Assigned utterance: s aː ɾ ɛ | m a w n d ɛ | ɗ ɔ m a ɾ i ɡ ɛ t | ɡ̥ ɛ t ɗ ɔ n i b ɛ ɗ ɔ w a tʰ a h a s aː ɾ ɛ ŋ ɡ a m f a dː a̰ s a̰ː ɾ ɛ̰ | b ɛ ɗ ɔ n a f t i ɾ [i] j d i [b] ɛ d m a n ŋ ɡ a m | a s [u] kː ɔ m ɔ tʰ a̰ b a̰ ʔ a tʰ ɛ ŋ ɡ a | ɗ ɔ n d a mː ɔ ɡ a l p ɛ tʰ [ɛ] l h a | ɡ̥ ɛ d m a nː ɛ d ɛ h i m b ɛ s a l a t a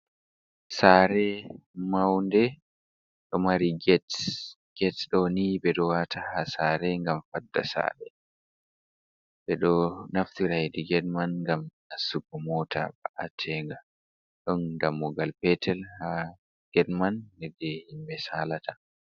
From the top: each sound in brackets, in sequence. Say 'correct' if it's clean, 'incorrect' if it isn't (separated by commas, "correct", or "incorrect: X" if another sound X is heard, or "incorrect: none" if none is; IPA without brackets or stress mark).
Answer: incorrect: a, incorrect: ɡ, correct, correct